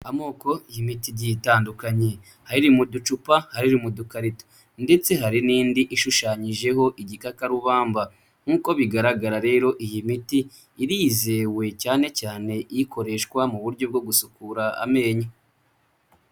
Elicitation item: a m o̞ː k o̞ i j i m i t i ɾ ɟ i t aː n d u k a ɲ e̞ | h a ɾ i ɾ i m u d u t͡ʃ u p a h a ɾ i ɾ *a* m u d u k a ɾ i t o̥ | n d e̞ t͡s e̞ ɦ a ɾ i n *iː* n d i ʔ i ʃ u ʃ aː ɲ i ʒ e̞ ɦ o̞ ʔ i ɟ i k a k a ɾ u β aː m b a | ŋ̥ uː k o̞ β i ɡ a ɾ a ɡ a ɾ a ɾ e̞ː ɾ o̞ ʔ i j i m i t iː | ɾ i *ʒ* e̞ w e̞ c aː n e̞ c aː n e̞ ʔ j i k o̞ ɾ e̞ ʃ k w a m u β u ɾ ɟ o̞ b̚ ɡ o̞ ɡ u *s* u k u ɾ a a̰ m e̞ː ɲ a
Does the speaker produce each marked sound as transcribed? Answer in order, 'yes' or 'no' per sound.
no, yes, no, yes

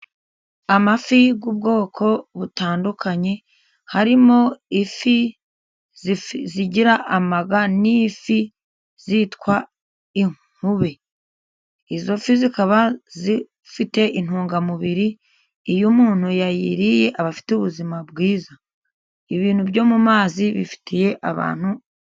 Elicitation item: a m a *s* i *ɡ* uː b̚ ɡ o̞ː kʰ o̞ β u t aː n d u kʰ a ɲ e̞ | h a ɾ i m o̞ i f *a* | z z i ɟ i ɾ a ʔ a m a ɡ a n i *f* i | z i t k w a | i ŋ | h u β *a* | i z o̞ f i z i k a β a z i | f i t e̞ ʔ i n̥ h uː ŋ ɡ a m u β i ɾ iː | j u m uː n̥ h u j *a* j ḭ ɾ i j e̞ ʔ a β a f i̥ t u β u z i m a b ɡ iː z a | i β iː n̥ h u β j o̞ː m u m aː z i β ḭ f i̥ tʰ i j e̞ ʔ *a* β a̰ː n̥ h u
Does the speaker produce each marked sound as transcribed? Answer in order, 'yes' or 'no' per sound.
no, yes, no, yes, no, yes, yes

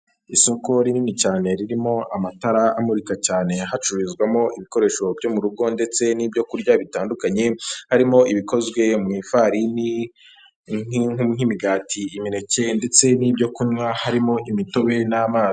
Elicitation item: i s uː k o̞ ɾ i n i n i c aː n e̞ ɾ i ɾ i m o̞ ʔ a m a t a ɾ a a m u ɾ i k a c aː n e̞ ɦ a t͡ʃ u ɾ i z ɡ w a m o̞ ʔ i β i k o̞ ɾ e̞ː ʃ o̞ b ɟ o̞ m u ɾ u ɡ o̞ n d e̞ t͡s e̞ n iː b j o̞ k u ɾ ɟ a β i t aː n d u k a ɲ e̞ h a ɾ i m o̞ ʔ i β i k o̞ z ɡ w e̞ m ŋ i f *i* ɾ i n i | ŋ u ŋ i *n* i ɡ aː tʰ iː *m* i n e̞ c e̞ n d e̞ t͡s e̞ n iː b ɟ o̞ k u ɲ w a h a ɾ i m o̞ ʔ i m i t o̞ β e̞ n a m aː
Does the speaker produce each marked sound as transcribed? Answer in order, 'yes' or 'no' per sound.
no, no, yes

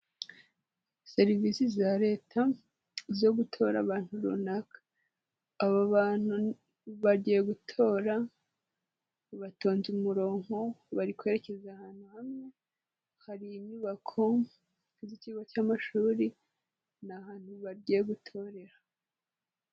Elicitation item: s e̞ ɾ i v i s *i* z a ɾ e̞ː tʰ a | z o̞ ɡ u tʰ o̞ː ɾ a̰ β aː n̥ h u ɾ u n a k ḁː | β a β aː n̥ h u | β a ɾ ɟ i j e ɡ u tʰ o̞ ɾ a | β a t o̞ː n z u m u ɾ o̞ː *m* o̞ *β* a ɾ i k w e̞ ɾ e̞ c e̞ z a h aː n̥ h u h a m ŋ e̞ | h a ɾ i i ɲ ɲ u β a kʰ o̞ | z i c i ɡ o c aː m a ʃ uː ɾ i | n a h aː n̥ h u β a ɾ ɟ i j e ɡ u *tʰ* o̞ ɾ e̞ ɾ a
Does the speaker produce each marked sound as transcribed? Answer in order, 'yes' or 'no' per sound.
yes, no, yes, yes

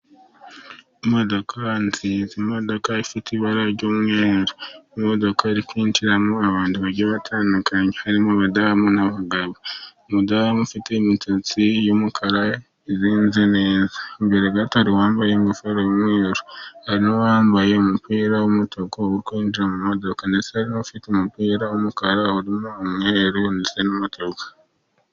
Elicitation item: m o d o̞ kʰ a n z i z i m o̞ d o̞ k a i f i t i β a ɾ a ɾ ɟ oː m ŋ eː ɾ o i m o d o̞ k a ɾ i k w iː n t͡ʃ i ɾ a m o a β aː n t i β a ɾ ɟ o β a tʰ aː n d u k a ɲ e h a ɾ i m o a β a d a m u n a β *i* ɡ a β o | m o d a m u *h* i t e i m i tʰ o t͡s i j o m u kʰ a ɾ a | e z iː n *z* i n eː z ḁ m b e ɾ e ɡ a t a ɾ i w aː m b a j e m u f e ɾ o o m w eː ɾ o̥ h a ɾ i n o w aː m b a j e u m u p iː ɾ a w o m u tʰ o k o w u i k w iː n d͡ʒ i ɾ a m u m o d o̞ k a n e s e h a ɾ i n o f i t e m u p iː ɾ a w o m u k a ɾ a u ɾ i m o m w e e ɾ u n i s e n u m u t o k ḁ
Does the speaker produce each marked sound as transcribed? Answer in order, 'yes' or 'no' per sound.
no, no, yes

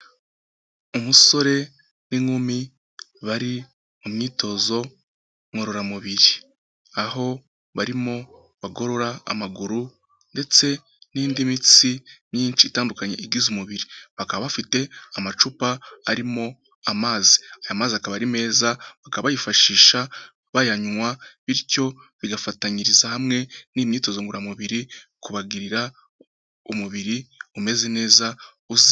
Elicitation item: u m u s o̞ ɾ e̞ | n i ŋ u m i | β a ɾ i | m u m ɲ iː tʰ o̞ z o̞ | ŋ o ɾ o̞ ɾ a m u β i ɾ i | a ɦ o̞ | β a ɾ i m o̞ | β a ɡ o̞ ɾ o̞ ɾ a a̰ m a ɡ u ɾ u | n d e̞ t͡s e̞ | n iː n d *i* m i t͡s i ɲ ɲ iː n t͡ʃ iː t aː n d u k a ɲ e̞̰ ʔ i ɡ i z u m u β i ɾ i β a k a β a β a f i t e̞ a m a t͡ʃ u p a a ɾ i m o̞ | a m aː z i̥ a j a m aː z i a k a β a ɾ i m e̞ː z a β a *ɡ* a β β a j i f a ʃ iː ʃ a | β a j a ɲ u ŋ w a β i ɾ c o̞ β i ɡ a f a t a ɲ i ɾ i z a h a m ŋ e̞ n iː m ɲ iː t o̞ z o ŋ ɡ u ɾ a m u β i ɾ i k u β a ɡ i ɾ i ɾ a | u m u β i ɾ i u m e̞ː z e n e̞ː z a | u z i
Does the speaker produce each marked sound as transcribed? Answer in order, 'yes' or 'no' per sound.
yes, no

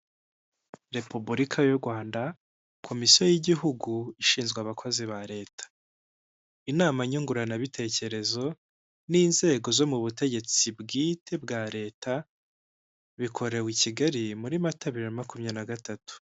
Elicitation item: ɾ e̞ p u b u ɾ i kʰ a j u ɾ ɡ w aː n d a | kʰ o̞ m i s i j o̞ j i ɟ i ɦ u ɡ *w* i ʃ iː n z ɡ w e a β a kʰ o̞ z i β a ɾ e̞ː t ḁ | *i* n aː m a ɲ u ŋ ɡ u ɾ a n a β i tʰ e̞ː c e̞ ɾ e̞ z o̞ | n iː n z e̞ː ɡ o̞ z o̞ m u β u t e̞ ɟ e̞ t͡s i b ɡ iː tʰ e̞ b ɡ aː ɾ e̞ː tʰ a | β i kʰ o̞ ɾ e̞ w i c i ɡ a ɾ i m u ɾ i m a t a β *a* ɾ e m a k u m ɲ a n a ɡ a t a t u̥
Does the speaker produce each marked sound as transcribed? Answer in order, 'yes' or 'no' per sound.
no, yes, no

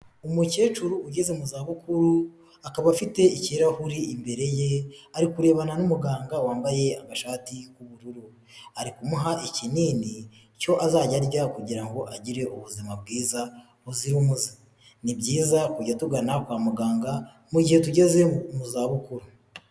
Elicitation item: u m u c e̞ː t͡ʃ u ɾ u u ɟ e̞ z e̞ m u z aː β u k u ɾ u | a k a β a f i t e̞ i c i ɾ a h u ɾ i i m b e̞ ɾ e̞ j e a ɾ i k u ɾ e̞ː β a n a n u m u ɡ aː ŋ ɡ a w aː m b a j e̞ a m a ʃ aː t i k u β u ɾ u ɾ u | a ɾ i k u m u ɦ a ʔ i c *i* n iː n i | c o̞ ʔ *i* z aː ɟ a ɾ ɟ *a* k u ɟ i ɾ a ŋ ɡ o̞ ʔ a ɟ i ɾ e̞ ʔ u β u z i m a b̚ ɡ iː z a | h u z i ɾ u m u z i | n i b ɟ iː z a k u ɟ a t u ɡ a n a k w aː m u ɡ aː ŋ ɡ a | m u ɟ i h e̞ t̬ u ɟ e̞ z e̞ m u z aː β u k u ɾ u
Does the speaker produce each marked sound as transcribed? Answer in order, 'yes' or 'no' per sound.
yes, no, yes

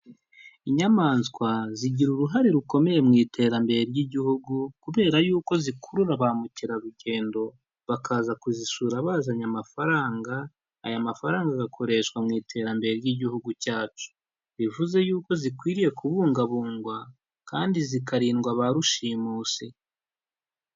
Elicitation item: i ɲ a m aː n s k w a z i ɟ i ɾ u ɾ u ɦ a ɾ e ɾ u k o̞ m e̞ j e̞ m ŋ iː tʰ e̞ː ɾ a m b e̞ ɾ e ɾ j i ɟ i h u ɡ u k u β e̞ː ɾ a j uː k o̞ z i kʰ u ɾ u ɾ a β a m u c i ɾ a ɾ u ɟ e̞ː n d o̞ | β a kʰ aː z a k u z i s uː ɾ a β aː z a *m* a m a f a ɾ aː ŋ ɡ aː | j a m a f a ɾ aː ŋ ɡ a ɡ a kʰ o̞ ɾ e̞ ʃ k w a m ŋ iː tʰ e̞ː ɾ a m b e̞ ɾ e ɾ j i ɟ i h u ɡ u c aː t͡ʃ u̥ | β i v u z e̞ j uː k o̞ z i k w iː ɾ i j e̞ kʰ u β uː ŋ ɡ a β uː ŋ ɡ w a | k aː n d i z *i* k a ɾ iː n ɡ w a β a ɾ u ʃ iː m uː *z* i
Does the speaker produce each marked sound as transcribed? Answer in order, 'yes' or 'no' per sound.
no, yes, no

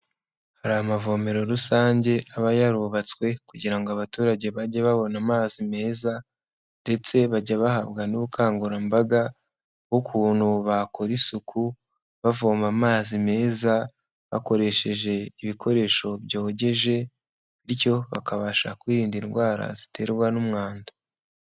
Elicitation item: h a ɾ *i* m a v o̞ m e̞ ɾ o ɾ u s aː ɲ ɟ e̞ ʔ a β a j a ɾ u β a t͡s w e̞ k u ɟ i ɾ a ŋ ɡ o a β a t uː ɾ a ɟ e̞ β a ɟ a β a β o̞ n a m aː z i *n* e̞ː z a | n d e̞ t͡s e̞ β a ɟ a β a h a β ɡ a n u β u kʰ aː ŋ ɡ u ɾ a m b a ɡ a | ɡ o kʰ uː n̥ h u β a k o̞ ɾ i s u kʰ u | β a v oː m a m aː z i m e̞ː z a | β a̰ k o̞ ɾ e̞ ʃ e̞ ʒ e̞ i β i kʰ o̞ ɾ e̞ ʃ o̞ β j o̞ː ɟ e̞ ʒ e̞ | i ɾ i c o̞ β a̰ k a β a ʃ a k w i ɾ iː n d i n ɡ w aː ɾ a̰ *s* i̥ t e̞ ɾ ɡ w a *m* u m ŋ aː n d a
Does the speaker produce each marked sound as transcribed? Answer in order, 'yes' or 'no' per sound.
no, no, no, no

